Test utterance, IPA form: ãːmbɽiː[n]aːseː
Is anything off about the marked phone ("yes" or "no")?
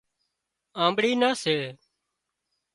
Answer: no